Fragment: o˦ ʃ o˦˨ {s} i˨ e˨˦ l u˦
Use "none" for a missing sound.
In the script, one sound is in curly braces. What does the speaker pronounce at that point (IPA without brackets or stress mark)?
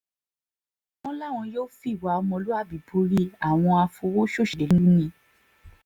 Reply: ʃ